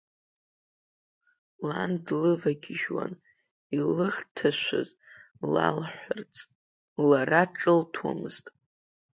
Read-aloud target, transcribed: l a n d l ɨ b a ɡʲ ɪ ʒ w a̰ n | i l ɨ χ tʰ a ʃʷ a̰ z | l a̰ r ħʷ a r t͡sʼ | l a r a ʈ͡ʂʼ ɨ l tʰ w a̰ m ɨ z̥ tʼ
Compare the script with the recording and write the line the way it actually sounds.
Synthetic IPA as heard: l a n d l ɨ v a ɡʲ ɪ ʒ w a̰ n | i l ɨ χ tʰ a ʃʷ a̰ z | l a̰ l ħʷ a r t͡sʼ | l a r a ʈ͡ʂʼ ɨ l tʰ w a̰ m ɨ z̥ tʼ